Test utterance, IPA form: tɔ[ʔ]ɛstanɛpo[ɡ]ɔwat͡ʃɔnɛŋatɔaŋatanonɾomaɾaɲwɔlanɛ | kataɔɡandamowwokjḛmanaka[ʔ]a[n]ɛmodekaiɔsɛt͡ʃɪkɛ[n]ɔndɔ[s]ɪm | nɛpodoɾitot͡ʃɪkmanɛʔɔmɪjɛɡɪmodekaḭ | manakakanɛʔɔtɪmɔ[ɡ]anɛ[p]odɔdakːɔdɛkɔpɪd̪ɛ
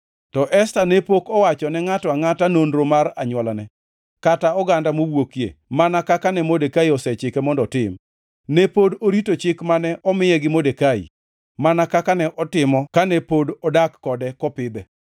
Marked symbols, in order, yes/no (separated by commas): yes, no, no, yes, no, no, no, yes